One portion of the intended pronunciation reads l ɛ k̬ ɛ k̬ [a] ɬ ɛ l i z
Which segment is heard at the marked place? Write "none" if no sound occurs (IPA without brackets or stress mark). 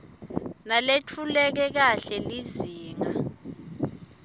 a